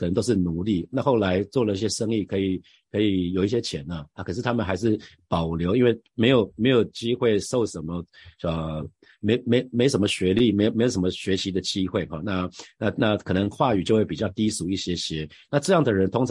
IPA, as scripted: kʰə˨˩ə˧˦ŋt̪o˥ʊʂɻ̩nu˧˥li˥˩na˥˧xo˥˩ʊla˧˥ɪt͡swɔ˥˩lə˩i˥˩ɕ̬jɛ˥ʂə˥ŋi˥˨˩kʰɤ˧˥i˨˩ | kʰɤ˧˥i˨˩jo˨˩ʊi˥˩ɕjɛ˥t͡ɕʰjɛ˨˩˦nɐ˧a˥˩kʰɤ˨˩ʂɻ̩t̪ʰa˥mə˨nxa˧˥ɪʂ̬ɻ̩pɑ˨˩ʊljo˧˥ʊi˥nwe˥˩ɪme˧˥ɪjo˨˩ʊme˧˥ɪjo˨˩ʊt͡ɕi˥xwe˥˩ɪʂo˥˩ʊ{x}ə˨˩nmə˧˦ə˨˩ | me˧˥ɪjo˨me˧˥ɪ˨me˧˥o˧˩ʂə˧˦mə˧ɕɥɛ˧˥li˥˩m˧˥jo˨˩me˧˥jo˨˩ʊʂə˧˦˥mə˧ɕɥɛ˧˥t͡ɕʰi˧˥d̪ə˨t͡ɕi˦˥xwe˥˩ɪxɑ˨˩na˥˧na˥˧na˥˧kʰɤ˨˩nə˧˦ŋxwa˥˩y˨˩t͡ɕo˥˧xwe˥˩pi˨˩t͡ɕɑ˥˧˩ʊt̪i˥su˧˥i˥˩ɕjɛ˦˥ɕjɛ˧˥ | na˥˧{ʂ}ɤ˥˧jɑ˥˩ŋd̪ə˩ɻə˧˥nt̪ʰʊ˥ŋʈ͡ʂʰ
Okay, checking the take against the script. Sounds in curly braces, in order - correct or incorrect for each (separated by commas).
incorrect, incorrect